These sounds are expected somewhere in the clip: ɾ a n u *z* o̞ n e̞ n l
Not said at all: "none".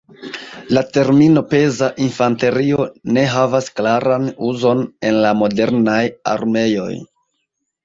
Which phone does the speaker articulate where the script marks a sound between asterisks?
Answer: z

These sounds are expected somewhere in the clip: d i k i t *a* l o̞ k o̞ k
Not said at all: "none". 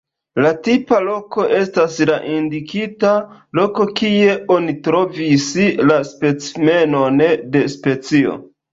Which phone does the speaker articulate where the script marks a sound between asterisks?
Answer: a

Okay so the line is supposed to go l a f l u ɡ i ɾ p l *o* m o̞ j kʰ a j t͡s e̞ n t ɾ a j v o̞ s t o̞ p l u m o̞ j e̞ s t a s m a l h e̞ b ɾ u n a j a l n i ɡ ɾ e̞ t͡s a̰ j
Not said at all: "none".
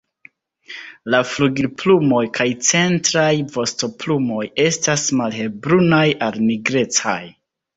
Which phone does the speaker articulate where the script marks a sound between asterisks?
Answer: u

